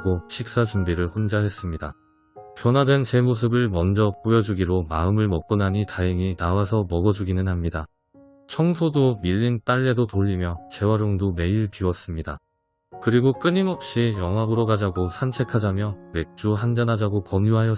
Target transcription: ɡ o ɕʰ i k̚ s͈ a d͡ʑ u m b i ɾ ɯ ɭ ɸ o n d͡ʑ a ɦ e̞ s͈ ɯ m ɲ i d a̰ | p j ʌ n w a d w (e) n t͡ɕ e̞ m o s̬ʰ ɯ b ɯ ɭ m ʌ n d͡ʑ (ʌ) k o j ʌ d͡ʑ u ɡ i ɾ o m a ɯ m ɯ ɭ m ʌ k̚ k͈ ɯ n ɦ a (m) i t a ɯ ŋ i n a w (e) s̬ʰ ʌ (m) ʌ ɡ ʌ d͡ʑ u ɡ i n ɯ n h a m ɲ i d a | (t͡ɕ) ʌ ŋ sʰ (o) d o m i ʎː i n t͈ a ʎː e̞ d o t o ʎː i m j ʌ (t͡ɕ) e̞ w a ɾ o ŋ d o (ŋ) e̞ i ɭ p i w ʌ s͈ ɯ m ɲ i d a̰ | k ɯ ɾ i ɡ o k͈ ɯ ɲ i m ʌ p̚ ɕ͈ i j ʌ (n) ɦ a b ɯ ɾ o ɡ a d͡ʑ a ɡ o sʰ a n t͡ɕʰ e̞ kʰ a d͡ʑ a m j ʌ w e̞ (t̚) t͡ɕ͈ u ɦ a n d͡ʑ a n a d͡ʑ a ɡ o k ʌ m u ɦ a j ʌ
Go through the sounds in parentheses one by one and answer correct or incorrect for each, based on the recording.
correct, correct, incorrect, incorrect, correct, incorrect, correct, correct, incorrect, incorrect, incorrect

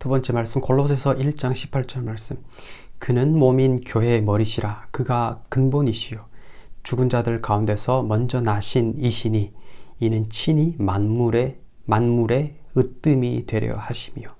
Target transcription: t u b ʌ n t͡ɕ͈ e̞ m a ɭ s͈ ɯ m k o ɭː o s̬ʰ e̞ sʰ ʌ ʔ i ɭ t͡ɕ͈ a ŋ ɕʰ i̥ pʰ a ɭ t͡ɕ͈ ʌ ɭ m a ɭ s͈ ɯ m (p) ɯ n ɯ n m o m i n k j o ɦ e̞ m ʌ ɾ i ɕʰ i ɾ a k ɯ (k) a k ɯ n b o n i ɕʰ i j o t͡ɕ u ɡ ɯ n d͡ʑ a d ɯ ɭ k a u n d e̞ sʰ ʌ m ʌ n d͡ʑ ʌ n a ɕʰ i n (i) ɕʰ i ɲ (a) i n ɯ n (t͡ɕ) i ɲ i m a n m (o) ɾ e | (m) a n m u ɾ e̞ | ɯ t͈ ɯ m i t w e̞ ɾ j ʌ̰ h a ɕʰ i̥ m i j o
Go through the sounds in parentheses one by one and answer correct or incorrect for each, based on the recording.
incorrect, incorrect, correct, incorrect, incorrect, incorrect, correct

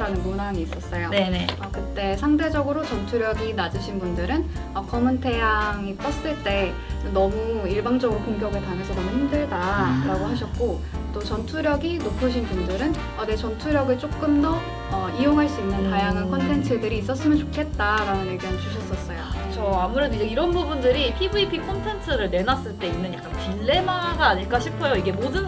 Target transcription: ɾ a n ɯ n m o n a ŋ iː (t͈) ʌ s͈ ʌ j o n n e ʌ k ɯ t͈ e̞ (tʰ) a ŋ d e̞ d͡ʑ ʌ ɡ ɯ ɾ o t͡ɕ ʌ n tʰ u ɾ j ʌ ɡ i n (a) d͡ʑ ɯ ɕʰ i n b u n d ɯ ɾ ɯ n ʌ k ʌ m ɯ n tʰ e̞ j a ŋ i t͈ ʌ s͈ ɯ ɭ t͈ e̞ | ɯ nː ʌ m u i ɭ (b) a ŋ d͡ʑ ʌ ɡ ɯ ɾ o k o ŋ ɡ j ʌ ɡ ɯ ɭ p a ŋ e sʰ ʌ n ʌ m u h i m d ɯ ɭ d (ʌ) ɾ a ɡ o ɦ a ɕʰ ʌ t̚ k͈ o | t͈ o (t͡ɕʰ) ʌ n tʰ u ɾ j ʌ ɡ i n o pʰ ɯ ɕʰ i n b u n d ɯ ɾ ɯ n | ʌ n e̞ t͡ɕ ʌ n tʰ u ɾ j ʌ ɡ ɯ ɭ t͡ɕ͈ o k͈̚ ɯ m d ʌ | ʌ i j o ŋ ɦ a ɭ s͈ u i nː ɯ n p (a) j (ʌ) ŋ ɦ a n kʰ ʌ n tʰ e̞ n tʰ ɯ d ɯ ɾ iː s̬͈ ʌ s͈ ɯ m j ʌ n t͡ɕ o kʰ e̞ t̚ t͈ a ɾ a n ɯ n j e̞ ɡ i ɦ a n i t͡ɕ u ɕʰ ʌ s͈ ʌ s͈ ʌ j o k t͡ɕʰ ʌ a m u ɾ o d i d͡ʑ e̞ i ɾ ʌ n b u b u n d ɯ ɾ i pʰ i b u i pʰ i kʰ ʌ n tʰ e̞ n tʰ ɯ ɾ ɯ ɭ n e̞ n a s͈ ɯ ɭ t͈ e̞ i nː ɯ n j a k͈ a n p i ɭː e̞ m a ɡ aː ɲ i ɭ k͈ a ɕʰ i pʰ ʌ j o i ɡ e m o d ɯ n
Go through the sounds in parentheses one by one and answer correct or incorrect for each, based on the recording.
incorrect, incorrect, correct, correct, incorrect, incorrect, correct, incorrect

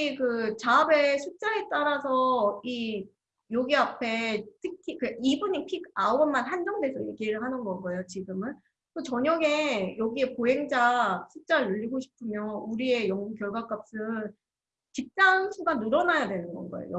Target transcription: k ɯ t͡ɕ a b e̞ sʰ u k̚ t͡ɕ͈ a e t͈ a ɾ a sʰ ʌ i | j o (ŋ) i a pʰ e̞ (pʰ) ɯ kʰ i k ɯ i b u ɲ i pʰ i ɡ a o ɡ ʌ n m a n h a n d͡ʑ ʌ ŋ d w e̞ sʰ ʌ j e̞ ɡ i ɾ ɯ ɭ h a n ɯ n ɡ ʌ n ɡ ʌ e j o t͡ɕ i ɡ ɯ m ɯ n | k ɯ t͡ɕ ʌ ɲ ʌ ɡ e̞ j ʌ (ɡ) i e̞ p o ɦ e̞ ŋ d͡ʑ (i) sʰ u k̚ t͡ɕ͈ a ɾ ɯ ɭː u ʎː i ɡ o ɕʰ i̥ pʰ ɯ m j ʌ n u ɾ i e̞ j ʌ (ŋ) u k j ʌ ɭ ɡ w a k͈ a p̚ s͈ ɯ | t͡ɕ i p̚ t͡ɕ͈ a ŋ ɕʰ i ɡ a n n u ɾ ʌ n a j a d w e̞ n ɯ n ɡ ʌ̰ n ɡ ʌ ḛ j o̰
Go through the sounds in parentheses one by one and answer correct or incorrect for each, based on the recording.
incorrect, incorrect, correct, incorrect, correct

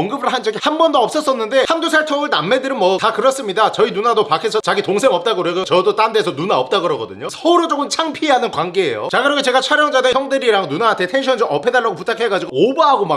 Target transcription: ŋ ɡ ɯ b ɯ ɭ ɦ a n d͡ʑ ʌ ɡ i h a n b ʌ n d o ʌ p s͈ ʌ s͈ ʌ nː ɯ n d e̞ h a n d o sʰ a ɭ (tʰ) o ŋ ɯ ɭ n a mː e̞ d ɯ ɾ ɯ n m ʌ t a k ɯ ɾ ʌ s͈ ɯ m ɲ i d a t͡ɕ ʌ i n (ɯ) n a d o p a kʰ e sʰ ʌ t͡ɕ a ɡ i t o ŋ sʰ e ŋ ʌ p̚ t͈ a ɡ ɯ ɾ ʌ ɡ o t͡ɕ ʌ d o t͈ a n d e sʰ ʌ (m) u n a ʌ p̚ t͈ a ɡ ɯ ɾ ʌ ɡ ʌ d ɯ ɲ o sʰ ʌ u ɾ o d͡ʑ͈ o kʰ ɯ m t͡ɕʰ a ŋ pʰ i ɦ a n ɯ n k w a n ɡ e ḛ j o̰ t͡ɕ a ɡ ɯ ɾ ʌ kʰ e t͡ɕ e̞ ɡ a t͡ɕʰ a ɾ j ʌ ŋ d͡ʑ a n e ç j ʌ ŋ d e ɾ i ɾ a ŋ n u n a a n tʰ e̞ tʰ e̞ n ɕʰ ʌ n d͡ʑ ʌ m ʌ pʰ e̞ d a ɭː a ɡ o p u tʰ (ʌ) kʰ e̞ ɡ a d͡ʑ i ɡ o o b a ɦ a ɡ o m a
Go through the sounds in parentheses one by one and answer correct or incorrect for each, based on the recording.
correct, incorrect, incorrect, incorrect

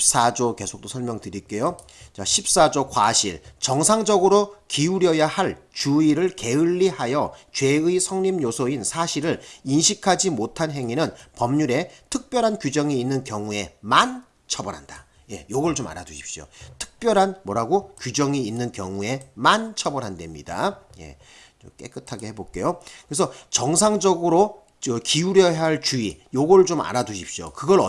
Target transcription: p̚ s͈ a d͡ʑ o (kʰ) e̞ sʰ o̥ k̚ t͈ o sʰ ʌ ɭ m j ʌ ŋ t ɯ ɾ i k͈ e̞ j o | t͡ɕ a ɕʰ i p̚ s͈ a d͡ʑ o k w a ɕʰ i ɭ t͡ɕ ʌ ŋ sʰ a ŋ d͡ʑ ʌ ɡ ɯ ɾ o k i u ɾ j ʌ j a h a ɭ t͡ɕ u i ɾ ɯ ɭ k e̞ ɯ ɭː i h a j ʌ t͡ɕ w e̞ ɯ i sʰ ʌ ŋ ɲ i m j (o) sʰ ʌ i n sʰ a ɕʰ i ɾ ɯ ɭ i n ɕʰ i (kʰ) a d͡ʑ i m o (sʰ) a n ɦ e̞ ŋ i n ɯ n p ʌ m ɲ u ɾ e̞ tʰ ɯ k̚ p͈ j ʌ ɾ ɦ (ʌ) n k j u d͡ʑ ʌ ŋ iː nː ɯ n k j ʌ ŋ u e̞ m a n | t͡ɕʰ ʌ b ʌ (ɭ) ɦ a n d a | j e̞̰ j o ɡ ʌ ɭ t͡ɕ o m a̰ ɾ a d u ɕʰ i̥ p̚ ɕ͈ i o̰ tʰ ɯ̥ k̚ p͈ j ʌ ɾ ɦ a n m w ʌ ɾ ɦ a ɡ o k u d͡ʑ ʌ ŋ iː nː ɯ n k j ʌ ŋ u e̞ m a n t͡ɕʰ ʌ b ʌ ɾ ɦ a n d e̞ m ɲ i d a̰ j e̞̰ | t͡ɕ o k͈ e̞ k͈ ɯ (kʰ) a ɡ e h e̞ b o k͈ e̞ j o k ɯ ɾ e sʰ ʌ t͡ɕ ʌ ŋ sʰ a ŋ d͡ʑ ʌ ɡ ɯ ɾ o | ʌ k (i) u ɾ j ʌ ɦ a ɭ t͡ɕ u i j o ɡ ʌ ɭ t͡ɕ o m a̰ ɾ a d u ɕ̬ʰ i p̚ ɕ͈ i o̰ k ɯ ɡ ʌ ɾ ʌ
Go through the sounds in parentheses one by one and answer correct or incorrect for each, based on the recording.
incorrect, correct, correct, incorrect, incorrect, incorrect, incorrect, correct

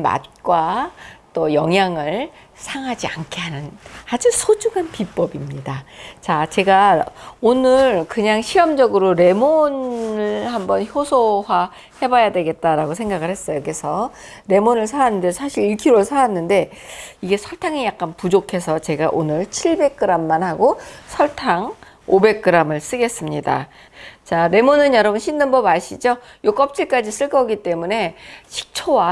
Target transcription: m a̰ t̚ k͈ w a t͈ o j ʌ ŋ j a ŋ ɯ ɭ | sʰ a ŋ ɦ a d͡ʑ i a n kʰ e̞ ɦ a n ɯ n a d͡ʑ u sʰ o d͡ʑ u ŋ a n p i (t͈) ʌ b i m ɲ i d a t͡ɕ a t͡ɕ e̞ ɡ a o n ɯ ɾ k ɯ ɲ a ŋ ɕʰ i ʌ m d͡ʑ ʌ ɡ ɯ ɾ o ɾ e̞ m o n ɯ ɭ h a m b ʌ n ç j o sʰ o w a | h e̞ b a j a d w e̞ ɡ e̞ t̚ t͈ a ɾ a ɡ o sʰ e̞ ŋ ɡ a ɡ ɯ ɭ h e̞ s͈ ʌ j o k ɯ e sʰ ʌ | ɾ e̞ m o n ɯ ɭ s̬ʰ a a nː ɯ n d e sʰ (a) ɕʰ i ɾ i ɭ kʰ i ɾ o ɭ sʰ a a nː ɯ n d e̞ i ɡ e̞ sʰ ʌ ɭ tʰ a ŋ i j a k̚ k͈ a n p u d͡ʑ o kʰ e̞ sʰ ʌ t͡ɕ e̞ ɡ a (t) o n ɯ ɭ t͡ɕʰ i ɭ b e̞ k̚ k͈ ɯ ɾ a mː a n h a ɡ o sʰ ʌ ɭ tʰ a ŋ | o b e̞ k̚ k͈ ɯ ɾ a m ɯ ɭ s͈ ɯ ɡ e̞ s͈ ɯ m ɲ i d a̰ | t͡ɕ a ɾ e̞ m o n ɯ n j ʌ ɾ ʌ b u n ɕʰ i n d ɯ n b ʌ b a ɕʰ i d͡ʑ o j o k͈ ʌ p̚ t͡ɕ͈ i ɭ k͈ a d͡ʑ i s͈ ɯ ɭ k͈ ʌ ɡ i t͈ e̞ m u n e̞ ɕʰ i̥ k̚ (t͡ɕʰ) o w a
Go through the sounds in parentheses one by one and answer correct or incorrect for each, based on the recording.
incorrect, correct, incorrect, correct

